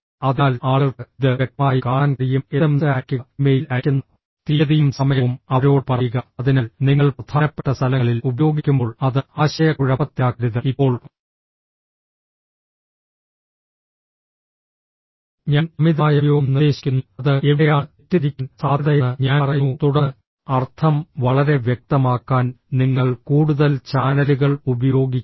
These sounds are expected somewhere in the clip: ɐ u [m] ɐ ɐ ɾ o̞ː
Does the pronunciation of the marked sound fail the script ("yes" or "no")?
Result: no